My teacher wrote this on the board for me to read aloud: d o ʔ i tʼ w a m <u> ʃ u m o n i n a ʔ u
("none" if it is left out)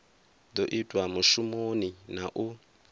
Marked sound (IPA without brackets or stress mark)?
u